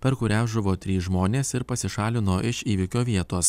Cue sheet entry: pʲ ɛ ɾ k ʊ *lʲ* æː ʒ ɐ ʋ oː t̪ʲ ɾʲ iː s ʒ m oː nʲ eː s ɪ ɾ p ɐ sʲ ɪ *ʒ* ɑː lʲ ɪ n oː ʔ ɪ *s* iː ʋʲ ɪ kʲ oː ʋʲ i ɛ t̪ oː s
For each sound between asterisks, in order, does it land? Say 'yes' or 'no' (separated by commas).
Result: no, no, no